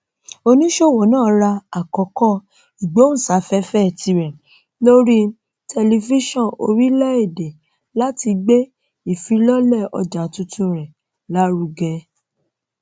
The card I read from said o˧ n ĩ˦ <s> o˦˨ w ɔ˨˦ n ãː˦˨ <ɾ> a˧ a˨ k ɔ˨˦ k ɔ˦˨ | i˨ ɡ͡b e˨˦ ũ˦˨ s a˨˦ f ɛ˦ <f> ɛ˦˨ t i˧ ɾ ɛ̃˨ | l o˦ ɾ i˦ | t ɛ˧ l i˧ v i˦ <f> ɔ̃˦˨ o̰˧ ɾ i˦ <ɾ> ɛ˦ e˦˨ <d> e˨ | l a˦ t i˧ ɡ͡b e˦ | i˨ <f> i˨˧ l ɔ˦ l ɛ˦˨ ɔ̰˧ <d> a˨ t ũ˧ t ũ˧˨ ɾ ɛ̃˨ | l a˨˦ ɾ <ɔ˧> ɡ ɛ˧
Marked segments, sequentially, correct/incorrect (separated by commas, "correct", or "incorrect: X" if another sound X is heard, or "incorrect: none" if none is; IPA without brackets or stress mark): incorrect: ʃ, correct, correct, incorrect: ʃ, incorrect: l, correct, correct, incorrect: d͡ʒ, incorrect: u˧